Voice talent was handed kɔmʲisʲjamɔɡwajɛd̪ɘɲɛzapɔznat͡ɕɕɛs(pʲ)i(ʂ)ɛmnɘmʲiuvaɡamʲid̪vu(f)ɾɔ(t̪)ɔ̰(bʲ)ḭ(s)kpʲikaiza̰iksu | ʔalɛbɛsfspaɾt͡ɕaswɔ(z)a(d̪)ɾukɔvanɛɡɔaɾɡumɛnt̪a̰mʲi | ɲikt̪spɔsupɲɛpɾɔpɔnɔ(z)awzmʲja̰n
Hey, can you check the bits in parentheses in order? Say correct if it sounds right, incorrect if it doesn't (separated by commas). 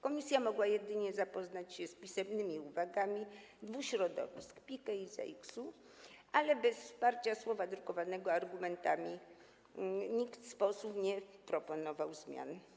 correct, incorrect, incorrect, incorrect, incorrect, correct, incorrect, correct, incorrect